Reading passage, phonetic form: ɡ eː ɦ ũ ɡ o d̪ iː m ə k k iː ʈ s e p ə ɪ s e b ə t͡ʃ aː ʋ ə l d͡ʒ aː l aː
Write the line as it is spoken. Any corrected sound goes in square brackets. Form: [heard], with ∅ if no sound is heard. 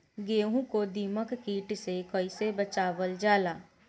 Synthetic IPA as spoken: ɡ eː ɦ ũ [k] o d̪ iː m ə k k iː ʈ s e [k] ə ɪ s e b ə t͡ʃ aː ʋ ə l d͡ʒ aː l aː